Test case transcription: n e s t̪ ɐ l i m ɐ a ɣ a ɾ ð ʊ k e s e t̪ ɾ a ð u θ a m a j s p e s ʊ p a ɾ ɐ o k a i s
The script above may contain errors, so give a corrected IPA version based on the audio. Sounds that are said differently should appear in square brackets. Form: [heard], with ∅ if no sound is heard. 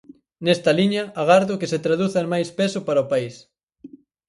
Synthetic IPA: n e s t̪ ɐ l i [ɲ] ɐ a ɣ a ɾ ð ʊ k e s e t̪ ɾ a ð u θ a m a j s p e s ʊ p a ɾ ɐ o [p] a i s